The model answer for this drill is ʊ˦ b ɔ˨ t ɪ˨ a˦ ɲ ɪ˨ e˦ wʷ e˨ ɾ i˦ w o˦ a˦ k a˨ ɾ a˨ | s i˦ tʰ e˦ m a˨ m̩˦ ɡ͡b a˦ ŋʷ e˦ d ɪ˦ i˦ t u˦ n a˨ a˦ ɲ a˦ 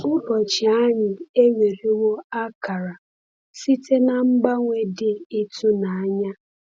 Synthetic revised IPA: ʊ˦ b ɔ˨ t͡ʃ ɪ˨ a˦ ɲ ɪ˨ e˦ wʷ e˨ ɾ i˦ w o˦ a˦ k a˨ ɾ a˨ | s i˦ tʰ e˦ n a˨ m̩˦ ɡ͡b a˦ ŋʷ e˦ d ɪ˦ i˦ t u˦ n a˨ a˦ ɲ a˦

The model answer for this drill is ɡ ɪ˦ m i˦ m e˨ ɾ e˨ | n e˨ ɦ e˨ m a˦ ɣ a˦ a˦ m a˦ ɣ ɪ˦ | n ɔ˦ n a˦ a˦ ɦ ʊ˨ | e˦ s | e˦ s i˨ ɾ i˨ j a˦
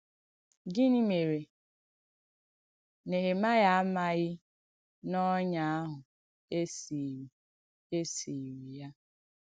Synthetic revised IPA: ɡ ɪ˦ n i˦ m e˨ ɾ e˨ | n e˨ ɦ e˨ m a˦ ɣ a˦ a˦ m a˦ ɣ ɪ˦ | n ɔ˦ ɲ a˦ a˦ ɦ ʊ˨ | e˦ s | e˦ s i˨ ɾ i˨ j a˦

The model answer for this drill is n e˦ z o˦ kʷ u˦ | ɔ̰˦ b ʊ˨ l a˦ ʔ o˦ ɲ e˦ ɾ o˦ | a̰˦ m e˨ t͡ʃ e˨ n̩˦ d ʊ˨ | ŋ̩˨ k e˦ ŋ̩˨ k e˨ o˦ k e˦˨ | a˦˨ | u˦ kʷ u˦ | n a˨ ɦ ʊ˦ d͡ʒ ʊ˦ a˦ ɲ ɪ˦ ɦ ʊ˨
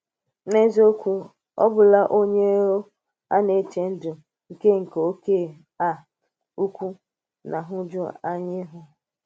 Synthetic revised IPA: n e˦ z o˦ kʷ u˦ | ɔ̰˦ b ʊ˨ l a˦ ʔ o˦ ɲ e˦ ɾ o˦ | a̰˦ n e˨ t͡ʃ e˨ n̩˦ d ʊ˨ | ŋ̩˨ k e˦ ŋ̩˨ k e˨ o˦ k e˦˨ | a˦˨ | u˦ kʷ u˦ | n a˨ ɦ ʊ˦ d͡ʒ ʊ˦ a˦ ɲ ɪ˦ ɦ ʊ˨

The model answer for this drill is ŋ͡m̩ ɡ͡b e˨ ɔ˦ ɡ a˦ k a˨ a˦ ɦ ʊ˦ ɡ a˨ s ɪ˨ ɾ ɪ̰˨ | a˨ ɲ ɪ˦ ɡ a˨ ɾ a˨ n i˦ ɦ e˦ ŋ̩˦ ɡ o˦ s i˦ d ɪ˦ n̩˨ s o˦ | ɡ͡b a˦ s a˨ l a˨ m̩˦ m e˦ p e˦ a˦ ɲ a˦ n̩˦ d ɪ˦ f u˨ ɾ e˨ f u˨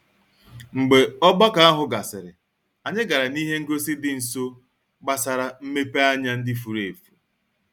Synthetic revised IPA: ŋ͡m̩ ɡ͡b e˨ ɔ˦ ɡ͡b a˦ k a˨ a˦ ɦ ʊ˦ ɡ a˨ s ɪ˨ ɾ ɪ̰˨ | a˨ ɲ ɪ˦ ɡ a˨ ɾ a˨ n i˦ ɦ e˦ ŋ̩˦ ɡ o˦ s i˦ d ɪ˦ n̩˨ s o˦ | ɡ͡b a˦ s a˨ ɾ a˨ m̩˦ m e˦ p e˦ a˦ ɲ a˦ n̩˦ d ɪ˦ f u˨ ɾ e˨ f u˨

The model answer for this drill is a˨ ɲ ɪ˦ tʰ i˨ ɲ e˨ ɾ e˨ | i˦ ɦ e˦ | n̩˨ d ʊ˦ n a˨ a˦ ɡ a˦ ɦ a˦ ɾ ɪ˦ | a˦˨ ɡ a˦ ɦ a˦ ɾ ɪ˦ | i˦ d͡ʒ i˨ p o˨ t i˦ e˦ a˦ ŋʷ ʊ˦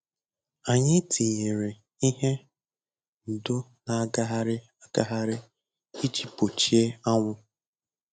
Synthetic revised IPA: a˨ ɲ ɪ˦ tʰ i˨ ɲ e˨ ɾ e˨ | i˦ ɦ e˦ | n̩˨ d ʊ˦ n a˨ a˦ ɡ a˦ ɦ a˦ ɾ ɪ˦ | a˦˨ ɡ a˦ ɦ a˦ ɾ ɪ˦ | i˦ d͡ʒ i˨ p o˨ t͡ʃ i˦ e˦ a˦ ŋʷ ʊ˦

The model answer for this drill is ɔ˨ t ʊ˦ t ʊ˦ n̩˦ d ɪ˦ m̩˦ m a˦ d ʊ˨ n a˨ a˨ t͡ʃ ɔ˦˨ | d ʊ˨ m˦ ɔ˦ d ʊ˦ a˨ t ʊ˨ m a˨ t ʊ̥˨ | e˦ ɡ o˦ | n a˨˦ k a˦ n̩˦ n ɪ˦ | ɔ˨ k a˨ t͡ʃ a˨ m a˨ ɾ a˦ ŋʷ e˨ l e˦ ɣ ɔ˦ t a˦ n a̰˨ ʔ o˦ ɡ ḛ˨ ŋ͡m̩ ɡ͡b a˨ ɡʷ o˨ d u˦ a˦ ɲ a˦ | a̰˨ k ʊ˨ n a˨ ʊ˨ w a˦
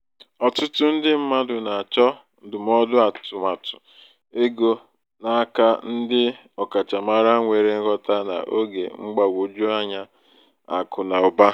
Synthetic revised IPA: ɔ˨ t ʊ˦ t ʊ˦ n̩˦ d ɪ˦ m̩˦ m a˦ d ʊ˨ n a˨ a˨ t͡ʃ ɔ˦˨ | d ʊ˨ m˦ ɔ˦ d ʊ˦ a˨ t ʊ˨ m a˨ t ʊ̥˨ | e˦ ɡ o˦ | n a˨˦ k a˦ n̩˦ d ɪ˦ | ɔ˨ k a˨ t͡ʃ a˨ m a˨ ɾ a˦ ŋʷ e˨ ɾ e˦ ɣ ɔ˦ t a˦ n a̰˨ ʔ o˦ ɡ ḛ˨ ŋ͡m̩ ɡ͡b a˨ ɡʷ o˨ d͡ʒ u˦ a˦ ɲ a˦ | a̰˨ k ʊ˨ n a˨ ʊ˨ b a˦

